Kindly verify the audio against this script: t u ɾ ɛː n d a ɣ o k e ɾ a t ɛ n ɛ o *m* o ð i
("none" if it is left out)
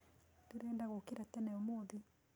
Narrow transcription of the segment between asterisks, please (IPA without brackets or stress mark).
m